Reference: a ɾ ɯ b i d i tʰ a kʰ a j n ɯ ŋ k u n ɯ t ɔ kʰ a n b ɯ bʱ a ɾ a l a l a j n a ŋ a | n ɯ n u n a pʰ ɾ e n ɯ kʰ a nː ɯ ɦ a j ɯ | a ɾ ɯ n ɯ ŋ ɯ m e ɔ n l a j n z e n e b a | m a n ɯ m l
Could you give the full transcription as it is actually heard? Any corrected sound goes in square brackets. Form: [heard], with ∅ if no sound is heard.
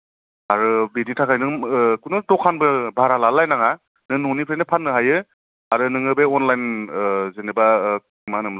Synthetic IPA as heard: a ɾ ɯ b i d i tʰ a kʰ a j n ɯ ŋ k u n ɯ t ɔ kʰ a n b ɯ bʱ a ɾ a l a l a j n a ŋ a | n ɯ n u n [i] pʰ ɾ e n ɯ [pʰ] a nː ɯ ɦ a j ɯ | a ɾ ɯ n ɯ ŋ ɯ [b] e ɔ n l a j n z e n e b a | m a n ɯ m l

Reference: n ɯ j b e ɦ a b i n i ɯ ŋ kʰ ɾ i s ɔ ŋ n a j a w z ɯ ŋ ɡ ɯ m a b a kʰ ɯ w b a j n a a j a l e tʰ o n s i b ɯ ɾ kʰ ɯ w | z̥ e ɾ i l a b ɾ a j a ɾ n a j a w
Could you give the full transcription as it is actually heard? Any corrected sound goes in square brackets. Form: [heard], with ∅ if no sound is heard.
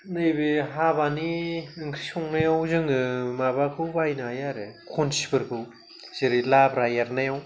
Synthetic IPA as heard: n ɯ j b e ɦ a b [a] n i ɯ ŋ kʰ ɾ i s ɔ ŋ n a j a w z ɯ ŋ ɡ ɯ m a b a kʰ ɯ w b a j n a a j a [ɾ] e [kʰ] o n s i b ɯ ɾ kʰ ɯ w | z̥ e ɾ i l a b ɾ a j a ɾ n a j a w

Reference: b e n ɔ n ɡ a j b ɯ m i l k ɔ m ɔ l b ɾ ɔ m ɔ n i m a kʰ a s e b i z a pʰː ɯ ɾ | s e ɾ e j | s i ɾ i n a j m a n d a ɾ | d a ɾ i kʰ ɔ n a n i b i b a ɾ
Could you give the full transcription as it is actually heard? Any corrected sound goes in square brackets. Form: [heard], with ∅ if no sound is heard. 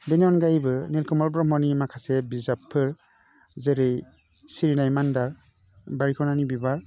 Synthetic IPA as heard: b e n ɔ n ɡ a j b ɯ [n] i l k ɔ m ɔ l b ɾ ɔ m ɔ n i m a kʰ a s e b i z a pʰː ɯ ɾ | [z] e ɾ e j | s i ɾ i n a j m a n d a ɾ | [b] a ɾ i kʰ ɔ n a n i b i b a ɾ

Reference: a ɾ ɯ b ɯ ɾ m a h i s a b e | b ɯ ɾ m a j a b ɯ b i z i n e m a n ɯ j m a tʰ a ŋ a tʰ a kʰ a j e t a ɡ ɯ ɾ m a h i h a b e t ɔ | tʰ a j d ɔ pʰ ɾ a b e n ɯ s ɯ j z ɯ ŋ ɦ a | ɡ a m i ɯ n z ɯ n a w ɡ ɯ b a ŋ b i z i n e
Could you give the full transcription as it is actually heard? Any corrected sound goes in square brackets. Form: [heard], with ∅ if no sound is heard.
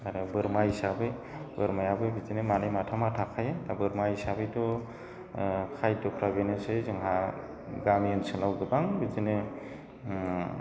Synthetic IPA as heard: a ɾ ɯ b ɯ ɾ m a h i s a b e | b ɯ ɾ m a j a b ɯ b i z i n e m a n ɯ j m a tʰ a [m] a tʰ a kʰ a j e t a [b] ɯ ɾ m a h i [s] a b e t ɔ | [kʰ] a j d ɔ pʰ ɾ a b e n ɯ s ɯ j z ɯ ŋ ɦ a | ɡ a m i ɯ n [s] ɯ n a w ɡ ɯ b a ŋ b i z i n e

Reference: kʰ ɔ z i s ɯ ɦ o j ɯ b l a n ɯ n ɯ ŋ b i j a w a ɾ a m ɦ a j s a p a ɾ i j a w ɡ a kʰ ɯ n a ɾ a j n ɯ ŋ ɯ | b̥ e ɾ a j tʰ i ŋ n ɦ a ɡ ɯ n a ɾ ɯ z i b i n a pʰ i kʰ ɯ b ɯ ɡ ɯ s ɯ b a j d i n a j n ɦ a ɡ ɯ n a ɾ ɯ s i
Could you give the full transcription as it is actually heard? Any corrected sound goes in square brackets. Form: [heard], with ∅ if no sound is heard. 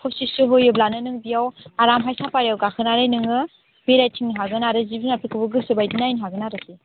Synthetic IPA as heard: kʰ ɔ [s] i s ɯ ɦ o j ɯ b l a n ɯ n ɯ ŋ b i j a w a ɾ a m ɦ a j s a p a ɾ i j a w ɡ a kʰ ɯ n a ɾ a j n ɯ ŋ ɯ | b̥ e ɾ a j tʰ i ŋ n ɦ a ɡ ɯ n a ɾ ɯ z i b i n a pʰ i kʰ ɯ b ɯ ɡ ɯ s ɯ b a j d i n a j n ɦ a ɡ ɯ n a ɾ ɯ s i

